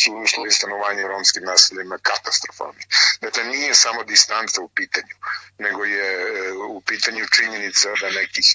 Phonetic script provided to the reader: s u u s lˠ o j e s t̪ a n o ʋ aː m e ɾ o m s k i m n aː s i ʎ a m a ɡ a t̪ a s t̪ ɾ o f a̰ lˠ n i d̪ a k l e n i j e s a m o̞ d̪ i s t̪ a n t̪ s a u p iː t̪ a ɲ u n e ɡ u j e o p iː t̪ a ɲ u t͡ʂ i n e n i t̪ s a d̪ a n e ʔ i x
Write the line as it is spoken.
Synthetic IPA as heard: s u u s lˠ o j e s t̪ a n o ʋ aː ɲ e ɾ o m s k i m n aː s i ʎ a m a k a t̪ a s t̪ ɾ o f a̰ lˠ n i d̪ a k l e n i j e s a m o̞ d̪ i s t̪ a n t̪ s a u p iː t̪ a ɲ u n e ɡ o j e u p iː t̪ a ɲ u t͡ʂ i ɲ e n i t̪ s a d̪ a n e k i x